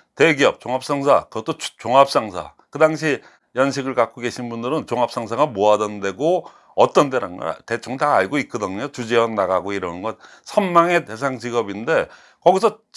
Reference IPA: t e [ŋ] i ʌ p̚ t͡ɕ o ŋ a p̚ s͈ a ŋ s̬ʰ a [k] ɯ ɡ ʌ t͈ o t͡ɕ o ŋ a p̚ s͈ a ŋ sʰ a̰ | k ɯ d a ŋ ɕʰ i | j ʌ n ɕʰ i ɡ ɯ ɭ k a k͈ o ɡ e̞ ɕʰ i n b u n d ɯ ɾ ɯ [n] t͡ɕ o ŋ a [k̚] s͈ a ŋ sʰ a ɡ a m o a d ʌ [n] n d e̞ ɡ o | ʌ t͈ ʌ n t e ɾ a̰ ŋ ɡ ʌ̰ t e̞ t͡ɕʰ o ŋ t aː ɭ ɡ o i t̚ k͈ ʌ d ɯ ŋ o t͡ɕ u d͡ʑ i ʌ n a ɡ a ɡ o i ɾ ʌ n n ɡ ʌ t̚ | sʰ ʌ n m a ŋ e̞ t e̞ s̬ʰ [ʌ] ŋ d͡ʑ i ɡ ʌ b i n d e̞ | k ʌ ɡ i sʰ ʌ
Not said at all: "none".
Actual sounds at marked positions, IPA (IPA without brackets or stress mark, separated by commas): ɡ, k, n, p̚, n, a